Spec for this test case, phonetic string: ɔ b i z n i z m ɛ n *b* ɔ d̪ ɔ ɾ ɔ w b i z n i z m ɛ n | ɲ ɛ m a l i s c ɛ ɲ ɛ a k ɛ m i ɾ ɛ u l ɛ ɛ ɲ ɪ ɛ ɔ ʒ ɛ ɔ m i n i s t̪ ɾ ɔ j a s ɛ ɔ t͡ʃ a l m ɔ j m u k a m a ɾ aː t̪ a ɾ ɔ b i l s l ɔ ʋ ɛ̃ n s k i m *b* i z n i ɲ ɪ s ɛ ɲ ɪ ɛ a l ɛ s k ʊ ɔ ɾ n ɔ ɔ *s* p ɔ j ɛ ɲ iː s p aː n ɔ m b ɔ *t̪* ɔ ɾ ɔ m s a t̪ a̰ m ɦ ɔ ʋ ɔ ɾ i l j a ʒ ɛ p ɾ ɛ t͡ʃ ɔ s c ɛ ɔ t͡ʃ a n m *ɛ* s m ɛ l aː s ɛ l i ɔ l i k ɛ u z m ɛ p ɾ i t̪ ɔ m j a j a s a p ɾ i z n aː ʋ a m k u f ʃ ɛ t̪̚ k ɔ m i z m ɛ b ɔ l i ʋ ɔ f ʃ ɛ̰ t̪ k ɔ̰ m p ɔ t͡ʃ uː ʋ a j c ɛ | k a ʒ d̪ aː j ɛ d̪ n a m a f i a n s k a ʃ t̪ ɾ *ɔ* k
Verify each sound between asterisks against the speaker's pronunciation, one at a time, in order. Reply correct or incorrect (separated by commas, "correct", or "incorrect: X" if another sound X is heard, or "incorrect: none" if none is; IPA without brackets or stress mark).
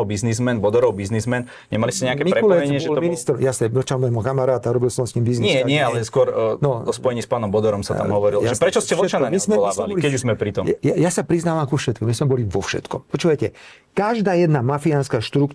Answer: correct, correct, correct, incorrect: d̪, incorrect: i, incorrect: u